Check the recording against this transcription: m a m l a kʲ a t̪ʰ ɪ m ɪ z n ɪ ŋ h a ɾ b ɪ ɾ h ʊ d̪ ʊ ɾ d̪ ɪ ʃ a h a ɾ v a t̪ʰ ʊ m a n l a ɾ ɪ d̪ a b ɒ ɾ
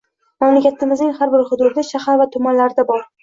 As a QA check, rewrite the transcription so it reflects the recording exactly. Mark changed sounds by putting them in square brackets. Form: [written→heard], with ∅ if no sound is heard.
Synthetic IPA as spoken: m a m l a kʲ a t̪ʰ ɪ m ɪ z n ɪ ŋ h a ɾ b ɪ ɾ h ʊ d̪ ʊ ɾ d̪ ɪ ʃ a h a ɾ v a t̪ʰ ʊ m a n l a ɾ ɪ d̪ a b ɒ ɾ

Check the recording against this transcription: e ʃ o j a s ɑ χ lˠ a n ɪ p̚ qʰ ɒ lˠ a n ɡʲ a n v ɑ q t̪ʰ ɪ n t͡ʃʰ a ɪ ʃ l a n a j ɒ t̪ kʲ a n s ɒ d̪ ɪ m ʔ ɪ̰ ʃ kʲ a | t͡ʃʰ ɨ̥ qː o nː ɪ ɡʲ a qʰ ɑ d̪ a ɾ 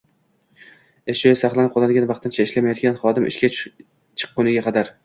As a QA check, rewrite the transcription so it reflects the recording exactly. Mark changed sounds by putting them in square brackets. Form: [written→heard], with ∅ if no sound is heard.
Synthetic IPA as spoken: e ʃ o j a s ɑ χ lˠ a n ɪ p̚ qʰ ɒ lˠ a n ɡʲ a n v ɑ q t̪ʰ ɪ n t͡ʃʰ a ɪ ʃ l a [n→m] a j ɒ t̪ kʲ a n [s→χ] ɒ d̪ ɪ m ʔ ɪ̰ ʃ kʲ a | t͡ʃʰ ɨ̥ qː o [nː→n] ɪ ɡʲ a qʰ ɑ d̪ a ɾ

